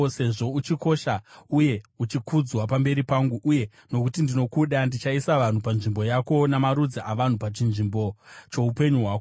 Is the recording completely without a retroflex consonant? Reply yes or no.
no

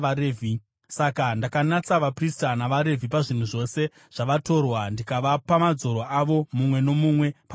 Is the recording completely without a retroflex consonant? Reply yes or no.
no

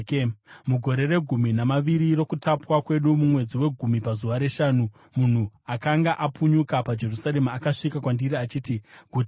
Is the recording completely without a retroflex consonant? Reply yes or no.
no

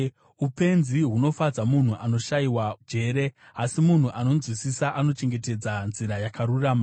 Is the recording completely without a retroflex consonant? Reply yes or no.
yes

